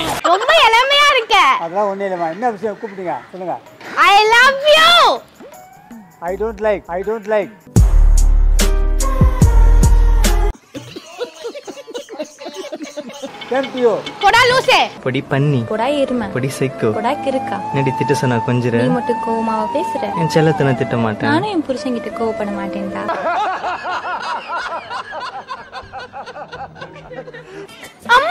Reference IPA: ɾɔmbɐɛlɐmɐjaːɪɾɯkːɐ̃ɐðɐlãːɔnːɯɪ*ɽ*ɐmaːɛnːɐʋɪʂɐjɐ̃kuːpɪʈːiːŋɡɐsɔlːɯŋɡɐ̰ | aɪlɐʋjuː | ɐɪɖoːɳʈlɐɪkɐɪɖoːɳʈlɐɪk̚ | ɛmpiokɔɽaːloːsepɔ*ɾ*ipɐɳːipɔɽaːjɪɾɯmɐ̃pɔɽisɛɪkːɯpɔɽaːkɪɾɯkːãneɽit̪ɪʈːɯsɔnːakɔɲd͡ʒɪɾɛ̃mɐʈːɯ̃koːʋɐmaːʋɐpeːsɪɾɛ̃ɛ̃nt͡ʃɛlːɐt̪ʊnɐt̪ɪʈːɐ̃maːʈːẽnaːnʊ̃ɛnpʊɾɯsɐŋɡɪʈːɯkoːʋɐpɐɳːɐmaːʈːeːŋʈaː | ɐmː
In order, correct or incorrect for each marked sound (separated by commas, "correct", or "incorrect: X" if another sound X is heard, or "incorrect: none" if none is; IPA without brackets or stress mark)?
incorrect: l, incorrect: ɽ